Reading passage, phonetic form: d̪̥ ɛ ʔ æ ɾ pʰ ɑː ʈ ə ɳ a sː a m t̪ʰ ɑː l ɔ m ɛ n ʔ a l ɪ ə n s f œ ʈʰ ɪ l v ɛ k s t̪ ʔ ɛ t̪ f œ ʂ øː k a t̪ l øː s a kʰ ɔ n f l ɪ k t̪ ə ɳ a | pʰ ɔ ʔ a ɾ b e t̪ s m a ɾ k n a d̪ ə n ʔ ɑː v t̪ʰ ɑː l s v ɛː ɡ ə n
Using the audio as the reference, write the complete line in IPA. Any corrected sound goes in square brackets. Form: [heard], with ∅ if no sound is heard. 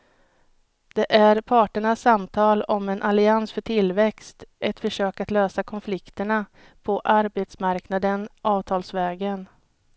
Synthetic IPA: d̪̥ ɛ ʔ æ ɾ pʰ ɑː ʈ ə ɳ a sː a m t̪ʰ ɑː l ɔ m ɛ n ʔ a l ɪ [a] n s f œ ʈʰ ɪ l v ɛ k s t̪ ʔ ɛ t̪ f œ ʂ øː k a t̪ l øː s a kʰ ɔ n f l ɪ k t̪ ə ɳ a | pʰ ɔ ʔ a ɾ b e t̪ s m a ɾ k n a d̪ ə n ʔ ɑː v t̪ʰ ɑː l s v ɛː ɡ ə n